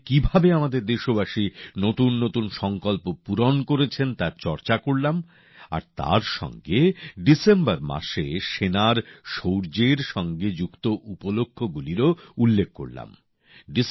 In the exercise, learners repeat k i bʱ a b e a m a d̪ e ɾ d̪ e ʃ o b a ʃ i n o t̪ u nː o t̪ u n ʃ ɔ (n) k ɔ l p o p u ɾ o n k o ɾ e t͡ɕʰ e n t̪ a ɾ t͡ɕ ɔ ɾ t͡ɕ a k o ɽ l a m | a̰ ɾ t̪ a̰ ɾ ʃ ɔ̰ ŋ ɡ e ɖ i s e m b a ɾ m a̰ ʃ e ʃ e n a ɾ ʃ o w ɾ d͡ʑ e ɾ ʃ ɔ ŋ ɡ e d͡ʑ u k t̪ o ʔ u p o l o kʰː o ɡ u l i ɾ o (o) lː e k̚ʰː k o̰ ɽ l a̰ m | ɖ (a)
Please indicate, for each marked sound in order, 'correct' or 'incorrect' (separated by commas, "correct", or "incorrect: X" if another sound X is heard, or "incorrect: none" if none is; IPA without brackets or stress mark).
incorrect: ŋ, incorrect: u, incorrect: i